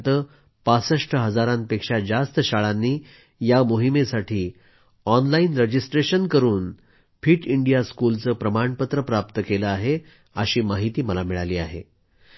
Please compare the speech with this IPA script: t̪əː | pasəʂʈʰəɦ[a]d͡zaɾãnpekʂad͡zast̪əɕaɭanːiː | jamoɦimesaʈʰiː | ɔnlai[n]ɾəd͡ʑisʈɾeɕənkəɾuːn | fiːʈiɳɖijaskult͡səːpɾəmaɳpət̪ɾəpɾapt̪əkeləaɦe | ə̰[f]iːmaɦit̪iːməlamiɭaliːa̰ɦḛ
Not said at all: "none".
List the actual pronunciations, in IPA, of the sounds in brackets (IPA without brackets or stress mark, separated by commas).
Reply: ə, n, ɕ